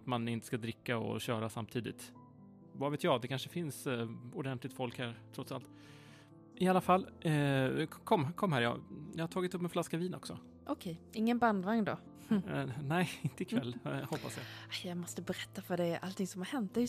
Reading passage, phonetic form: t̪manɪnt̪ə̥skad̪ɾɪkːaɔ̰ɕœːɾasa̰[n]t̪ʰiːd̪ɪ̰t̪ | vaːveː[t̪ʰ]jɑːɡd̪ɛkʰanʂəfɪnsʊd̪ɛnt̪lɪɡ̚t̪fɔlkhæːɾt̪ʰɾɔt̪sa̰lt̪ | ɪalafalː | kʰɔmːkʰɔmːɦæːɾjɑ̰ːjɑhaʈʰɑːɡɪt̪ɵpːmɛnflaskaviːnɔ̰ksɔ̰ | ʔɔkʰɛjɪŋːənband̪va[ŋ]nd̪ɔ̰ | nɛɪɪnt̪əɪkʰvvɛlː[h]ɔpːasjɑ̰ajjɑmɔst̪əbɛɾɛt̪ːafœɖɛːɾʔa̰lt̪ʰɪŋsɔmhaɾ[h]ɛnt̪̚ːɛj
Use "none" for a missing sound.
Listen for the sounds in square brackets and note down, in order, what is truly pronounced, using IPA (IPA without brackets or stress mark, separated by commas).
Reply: m, t̪, ŋ, h, h